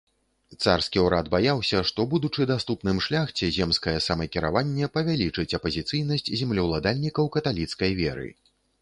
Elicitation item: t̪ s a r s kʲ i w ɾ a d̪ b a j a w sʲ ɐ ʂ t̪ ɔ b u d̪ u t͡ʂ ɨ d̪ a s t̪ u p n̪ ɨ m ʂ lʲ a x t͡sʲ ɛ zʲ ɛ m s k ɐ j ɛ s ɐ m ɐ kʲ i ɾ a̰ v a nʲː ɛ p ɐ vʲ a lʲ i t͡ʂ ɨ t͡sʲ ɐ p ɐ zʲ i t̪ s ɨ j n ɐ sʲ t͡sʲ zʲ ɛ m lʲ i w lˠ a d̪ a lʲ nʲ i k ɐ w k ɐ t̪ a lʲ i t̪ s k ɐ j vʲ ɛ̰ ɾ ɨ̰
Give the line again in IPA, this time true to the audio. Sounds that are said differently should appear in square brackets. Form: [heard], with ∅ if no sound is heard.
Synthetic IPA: t̪ s a r s kʲ i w ɾ a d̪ b a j a w sʲ ɐ ʂ t̪ ɔ b u d̪ u t͡ʂ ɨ d̪ a s t̪ u p n̪ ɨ m ʂ lʲ a x t͡sʲ ɛ zʲ ɛ m s k ɐ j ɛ s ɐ m ɐ kʲ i ɾ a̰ v a nʲː ɛ p ɐ vʲ a lʲ i t͡ʂ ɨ t͡sʲ ɐ p ɐ zʲ i t̪ s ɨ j n ɐ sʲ t͡sʲ zʲ ɛ m lʲ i w lˠ a d̪ a lʲ nʲ i k ɐ w k ɐ t̪ a lʲ i t̪ s k ɐ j vʲ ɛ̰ ɾ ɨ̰